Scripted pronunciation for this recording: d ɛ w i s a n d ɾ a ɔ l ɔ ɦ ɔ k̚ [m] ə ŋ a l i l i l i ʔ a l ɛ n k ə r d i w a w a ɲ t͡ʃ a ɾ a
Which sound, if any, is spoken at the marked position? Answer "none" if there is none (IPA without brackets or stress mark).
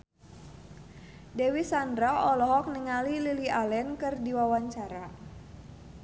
n